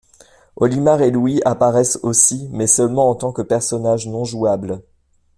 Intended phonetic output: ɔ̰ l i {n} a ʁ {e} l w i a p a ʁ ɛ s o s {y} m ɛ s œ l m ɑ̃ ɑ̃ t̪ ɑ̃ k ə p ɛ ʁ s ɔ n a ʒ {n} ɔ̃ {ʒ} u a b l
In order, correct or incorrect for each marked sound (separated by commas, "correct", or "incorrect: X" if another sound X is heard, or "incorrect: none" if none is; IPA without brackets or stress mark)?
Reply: incorrect: m, correct, incorrect: i, correct, correct